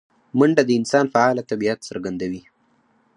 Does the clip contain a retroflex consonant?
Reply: yes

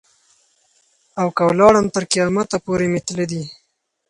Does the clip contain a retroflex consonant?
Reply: yes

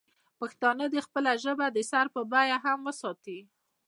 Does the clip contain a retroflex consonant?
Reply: no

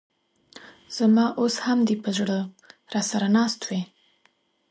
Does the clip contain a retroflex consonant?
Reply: yes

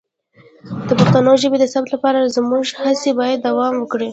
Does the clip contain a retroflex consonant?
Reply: yes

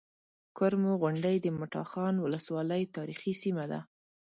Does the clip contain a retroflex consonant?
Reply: yes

